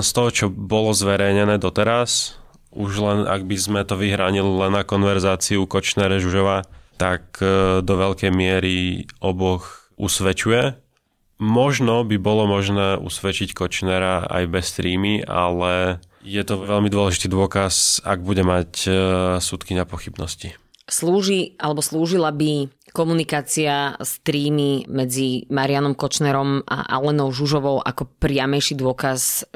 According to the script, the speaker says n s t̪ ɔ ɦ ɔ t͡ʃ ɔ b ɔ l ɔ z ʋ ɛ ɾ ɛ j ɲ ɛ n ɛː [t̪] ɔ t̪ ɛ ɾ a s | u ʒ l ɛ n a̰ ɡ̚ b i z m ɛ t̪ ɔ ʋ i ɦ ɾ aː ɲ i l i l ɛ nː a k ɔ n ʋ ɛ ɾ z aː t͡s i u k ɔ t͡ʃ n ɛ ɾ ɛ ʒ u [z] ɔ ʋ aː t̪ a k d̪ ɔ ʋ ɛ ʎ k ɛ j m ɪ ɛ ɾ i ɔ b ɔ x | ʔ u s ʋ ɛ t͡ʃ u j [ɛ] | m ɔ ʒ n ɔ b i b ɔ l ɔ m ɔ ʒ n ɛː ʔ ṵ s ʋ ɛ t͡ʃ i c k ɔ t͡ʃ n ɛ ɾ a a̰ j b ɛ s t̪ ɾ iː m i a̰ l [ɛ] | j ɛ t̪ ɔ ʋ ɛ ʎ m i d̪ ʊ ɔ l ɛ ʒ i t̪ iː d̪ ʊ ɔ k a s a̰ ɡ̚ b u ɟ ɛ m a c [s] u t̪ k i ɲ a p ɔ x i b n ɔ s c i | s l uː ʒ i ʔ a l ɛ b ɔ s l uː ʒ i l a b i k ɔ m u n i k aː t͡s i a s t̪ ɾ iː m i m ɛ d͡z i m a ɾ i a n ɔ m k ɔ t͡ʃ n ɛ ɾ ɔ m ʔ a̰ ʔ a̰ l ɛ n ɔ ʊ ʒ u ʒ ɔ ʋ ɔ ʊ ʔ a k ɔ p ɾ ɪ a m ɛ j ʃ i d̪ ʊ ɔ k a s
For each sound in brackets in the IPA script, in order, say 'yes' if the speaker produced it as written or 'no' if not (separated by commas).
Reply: no, no, yes, yes, yes